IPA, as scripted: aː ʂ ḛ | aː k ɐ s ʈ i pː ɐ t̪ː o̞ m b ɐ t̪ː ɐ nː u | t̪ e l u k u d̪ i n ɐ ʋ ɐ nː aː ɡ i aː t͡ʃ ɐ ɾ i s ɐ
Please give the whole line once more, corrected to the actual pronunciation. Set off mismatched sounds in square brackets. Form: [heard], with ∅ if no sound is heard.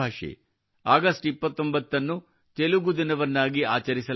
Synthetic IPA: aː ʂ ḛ | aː [ɡ] ɐ s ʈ i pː ɐ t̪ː o̞ m b ɐ t̪ː ɐ nː u | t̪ e l u [ɡ] u d̪ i n ɐ ʋ ɐ nː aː ɡ i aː t͡ʃ ɐ ɾ i s ɐ